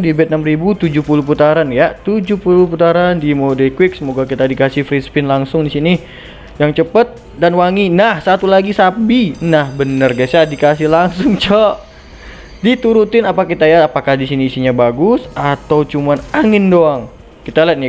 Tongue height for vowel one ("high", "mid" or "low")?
high